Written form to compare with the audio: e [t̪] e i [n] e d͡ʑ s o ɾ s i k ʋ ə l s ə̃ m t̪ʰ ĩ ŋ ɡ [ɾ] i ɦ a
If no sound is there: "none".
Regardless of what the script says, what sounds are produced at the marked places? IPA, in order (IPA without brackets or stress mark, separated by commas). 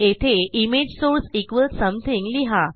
t̪ʰ, m, l